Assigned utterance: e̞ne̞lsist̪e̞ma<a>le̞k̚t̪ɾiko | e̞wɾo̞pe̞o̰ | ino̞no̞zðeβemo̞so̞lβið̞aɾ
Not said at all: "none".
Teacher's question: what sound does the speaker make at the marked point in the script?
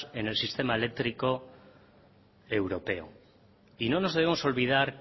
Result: e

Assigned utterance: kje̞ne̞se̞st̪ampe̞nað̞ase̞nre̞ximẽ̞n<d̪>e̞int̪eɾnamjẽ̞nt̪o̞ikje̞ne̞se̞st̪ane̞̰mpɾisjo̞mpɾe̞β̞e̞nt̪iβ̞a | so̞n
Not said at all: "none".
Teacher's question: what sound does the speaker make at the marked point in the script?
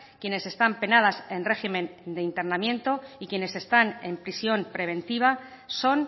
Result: d̪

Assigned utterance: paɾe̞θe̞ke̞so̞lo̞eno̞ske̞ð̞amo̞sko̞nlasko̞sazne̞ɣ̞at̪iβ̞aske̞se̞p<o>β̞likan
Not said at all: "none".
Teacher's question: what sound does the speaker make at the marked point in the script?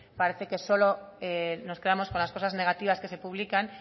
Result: u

